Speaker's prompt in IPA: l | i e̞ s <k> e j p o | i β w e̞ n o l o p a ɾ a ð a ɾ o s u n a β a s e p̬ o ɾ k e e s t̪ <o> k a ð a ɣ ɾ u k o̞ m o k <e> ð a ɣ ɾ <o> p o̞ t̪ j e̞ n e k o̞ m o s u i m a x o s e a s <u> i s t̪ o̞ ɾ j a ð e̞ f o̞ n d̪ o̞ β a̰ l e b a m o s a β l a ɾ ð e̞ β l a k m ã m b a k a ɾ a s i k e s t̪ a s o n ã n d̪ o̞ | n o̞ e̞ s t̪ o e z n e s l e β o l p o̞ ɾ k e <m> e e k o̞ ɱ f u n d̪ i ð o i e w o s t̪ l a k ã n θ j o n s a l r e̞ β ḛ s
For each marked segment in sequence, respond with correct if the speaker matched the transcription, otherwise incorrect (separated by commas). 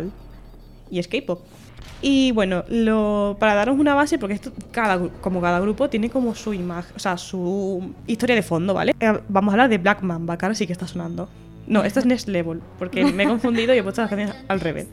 correct, correct, incorrect, incorrect, correct, correct